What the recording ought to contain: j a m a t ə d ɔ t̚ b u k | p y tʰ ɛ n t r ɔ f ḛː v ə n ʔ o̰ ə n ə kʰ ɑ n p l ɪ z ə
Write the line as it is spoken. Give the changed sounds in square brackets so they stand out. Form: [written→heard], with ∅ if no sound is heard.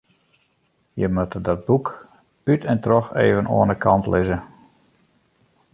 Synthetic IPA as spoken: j [a→ə] m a t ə d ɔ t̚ b u k | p y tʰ ɛ n t r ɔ [f→x] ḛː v ə n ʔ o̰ ə n ə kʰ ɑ n [p→t] l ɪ z ə